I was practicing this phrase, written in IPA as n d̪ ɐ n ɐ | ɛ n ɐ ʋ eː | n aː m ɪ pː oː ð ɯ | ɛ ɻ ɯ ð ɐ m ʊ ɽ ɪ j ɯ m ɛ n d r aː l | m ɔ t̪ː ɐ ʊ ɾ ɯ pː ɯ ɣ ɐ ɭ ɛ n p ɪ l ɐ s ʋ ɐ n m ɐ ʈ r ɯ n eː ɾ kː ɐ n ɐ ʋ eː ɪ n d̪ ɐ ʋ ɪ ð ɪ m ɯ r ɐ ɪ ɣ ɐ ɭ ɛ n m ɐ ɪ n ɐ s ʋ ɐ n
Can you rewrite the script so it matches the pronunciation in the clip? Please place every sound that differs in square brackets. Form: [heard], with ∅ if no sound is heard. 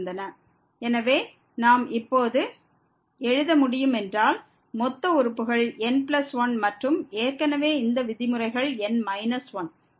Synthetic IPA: n d̪ ɐ n ɐ | ɛ n ɐ ʋ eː | n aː m ɪ pː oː ð ɯ | ɛ ɻ ɯ ð ɐ m ʊ ɽ ɪ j ɯ m ɛ n d r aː l | m ɔ t̪ː ɐ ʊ ɾ ɯ pː ɯ ɣ ɐ ɭ ɛ n p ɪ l ɐ s ʋ ɐ n m ɐ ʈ r ɯ [m] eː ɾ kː ɐ n ɐ ʋ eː ɪ n d̪ ɐ ʋ ɪ ð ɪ m ɯ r ɐ ɪ ɣ ɐ ɭ ɛ n m ɐ ɪ n ɐ s ʋ ɐ n